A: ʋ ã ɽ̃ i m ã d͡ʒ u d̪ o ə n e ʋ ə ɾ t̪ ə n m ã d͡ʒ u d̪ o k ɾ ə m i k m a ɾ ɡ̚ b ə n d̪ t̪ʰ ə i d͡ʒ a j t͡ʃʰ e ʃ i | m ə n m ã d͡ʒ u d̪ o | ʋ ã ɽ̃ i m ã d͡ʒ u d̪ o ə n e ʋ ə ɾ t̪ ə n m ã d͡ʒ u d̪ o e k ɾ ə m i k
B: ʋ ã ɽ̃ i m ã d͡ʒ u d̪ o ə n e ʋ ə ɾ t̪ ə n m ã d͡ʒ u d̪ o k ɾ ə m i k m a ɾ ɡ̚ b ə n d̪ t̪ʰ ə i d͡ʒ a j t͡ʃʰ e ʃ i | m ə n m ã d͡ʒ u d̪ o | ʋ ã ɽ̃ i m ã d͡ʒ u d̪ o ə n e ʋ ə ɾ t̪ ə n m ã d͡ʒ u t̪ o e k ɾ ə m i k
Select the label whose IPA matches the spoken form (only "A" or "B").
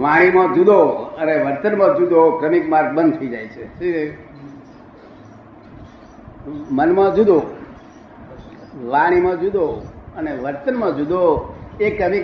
A